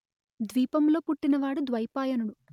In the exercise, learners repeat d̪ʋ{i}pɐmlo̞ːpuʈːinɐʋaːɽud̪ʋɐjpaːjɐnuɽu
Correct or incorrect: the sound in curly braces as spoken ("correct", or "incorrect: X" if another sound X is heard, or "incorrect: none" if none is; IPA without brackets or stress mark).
incorrect: iː